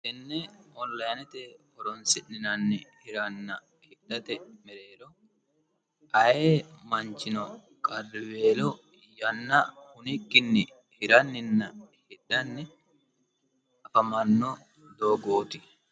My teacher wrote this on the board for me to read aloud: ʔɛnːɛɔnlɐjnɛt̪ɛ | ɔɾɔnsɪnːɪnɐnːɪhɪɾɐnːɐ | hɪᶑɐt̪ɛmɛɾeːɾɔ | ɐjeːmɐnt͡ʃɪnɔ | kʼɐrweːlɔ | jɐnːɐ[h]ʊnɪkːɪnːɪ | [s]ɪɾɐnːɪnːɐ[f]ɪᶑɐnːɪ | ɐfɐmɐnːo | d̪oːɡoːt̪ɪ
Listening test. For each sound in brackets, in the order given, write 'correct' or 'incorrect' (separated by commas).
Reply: correct, incorrect, incorrect